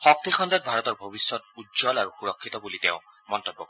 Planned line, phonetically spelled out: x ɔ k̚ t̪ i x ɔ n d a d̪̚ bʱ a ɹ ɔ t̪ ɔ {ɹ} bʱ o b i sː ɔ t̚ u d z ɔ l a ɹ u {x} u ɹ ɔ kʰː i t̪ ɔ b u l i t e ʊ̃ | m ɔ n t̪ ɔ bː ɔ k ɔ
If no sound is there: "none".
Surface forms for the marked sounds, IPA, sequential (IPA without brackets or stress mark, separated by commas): ɹ, x